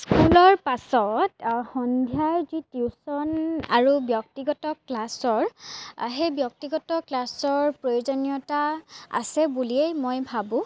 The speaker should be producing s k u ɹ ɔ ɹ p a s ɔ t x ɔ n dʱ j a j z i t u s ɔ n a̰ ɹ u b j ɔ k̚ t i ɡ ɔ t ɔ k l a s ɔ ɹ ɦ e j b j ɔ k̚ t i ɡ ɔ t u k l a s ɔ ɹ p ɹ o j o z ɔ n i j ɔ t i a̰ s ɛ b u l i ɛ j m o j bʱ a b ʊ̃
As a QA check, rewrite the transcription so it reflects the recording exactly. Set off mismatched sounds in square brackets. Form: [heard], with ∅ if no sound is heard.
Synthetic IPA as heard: s k u [l] ɔ ɹ p a s ɔ t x ɔ n dʱ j a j z i t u s ɔ n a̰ ɹ u b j ɔ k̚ t i ɡ ɔ t ɔ k l a s ɔ ɹ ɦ e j b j ɔ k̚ t i ɡ ɔ t [ɔ] k l a s ɔ ɹ p ɹ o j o z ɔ n i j ɔ t [a] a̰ s ɛ b u l i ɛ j m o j bʱ a b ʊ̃